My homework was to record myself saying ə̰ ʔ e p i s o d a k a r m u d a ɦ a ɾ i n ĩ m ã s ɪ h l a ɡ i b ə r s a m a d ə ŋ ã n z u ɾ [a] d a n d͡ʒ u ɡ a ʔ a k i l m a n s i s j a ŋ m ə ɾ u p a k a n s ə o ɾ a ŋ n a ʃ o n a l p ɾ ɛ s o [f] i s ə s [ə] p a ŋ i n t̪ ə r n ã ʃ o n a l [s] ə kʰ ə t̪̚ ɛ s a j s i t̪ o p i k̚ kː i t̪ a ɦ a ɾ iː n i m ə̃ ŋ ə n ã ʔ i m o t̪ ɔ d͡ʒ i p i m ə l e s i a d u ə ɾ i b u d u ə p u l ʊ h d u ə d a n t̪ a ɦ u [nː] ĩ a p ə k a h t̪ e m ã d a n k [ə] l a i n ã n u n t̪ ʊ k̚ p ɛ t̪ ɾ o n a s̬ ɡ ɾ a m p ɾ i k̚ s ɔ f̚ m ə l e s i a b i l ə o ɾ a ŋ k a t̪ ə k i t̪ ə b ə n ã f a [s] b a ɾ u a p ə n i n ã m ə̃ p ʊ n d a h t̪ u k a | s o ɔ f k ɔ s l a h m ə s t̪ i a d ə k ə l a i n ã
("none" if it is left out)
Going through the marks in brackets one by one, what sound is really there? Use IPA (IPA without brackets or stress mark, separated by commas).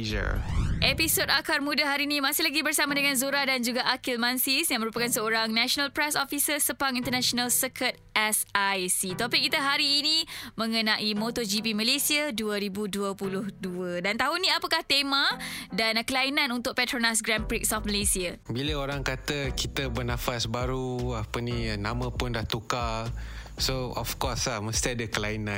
a, f, ə, s, n, ə, s